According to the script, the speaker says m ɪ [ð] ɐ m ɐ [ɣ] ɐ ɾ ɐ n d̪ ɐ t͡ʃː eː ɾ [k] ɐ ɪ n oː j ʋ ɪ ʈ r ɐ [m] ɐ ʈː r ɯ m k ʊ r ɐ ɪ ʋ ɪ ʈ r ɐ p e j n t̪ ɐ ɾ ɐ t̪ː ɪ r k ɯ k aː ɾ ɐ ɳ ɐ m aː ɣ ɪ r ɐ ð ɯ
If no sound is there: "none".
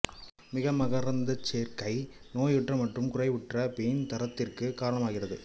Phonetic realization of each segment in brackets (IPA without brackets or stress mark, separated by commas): ɣ, ɣ, k, m